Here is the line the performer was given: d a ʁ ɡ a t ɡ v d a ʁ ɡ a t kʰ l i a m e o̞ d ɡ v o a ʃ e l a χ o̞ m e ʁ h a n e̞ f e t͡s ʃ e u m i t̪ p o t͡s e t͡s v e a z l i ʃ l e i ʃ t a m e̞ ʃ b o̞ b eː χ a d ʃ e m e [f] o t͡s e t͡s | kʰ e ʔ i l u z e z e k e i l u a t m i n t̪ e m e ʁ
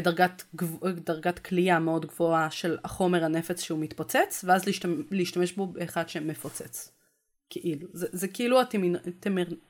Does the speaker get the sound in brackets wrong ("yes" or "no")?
no